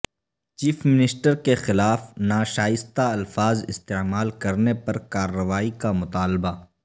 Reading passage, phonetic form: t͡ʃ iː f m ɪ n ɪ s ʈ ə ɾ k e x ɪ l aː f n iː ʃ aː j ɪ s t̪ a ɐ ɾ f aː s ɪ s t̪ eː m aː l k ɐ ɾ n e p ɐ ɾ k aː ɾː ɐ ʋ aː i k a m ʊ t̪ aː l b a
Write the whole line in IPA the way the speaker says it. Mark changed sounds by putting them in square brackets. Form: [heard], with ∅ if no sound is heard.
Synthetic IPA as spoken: t͡ʃ iː f m ɪ n ɪ s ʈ ə ɾ k e x ɪ l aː f n [aː] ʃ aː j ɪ s t̪ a ɐ [l] f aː [z] ɪ s t̪ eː m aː l k ɐ ɾ n e p ɐ ɾ k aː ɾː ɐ ʋ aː i k a m ʊ t̪ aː l b a

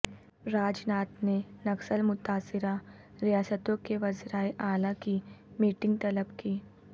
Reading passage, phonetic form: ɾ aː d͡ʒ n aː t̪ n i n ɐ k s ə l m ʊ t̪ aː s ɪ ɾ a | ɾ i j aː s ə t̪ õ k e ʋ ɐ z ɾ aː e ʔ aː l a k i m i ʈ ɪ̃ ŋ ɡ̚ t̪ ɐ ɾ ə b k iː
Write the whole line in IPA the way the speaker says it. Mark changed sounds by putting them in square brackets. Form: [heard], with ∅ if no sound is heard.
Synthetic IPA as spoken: ɾ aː d͡ʒ n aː t̪ n [e] n ɐ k s ə l m ʊ t̪ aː s ɪ ɾ a | ɾ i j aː s ə t̪ õ k e ʋ ɐ z ɾ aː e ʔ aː l a k i m [iː] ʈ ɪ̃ ŋ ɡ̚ t̪ ɐ [l] ə b k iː

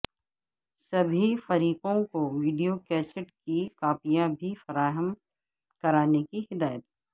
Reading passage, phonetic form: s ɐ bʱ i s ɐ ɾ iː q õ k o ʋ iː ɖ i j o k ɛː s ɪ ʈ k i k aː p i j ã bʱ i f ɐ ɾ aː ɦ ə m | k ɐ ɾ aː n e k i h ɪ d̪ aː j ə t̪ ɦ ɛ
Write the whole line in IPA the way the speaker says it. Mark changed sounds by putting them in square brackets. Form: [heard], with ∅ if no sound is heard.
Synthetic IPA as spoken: s ɐ bʱ i [f] ɐ ɾ iː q õ k o ʋ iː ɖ i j o k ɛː s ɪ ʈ k i k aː p i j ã bʱ i f ɐ ɾ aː ɦ ə m | k ɐ ɾ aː n e k i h ɪ d̪ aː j ə t̪ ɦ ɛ

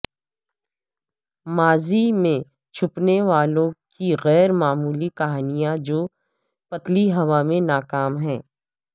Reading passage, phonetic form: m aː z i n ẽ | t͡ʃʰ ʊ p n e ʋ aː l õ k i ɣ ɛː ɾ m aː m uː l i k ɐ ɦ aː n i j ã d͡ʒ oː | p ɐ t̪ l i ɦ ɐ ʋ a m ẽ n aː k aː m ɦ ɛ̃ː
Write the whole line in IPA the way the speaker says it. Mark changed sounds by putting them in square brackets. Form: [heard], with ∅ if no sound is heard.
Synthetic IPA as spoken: m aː z i [m] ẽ | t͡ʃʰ ʊ p n e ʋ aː l õ k i ɣ ɛː ɾ m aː m uː l i k ɐ ɦ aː n i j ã d͡ʒ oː | p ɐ t̪ l i ɦ ɐ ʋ a m ẽ n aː k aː m ɦ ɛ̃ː

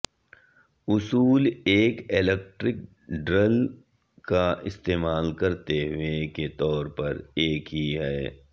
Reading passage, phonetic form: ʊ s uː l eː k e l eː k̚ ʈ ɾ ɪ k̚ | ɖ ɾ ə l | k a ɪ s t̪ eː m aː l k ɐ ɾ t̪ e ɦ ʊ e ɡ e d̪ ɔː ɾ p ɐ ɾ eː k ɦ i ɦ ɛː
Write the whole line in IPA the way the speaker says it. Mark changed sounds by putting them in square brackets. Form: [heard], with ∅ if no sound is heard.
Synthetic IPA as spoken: ʊ s uː l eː k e l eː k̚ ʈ ɾ ɪ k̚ | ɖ ɾ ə l | k a ɪ s t̪ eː m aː l k ɐ ɾ t̪ e ɦ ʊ e [k] e [t̪] ɔː ɾ p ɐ ɾ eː k ɦ i ɦ ɛː

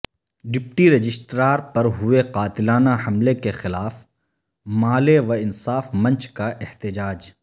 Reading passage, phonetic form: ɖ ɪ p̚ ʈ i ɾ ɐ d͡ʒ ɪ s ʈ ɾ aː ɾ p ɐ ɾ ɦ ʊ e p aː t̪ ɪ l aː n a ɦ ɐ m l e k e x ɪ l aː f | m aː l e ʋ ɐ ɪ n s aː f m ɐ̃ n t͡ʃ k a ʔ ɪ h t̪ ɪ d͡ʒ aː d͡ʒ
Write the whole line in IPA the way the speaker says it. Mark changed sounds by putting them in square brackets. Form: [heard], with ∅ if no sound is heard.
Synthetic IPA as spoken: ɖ ɪ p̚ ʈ i ɾ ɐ d͡ʒ ɪ s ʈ ɾ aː ɾ p ɐ ɾ ɦ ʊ e [q] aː t̪ ɪ l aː n a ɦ ɐ m l e k e x ɪ l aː f | m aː l e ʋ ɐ ɪ n s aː f m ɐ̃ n t͡ʃ k a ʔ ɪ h t̪ ɪ d͡ʒ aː d͡ʒ

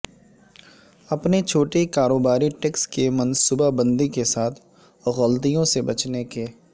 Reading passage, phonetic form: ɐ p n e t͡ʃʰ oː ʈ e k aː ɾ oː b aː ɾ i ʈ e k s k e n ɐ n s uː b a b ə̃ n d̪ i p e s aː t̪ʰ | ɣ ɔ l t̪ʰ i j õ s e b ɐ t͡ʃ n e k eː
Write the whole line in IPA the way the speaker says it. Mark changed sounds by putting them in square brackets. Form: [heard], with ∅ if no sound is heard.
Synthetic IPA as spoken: ɐ p n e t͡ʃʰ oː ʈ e k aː ɾ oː b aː ɾ i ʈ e k s k e [m] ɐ n s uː b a b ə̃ n d̪ i [k] e s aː t̪ʰ | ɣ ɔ l [t̪] i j õ s e b ɐ t͡ʃ n e k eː

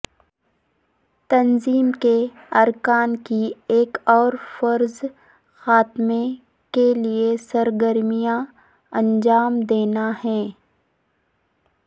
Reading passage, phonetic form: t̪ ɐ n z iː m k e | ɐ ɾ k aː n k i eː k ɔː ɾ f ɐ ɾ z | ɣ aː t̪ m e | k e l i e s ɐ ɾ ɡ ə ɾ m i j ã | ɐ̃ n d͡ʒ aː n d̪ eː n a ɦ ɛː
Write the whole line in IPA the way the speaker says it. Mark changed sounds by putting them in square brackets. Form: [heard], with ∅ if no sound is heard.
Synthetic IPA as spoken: t̪ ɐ n z iː m k e | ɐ ɾ k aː n k i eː k ɔː ɾ f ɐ ɾ z | [x] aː t̪ m e | k e l i e s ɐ ɾ ɡ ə ɾ m i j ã | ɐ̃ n d͡ʒ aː [m] d̪ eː n a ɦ ɛː

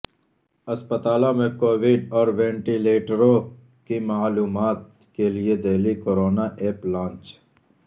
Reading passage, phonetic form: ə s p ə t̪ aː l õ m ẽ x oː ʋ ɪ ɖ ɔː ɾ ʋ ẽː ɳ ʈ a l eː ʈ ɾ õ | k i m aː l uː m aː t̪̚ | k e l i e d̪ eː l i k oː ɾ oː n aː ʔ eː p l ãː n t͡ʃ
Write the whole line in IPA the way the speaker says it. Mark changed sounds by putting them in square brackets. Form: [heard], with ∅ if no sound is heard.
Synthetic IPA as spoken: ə s p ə t̪ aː l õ m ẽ [k] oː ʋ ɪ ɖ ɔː ɾ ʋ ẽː ɳ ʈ [i] l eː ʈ ɾ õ | k i m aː l uː m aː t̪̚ | k e l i e d̪ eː l i k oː ɾ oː n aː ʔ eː p l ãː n t͡ʃ

